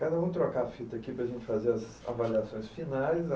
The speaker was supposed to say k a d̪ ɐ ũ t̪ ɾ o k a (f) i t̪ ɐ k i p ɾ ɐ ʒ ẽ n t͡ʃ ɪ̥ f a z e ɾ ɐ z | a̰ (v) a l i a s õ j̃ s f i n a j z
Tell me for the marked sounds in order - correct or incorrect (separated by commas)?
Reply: correct, correct